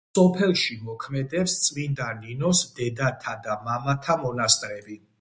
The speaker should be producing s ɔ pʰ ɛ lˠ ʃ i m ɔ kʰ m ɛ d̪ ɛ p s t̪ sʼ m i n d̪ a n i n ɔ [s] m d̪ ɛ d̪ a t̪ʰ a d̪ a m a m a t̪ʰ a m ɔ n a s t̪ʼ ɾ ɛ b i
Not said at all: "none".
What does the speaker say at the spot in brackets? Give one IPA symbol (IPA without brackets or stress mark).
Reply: s